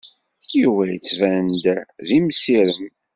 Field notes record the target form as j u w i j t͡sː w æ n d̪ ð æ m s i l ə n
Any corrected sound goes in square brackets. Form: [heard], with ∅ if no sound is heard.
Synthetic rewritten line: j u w [æ] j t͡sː [v] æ n d̪ ð [i] m s i [ɾ] ə [m]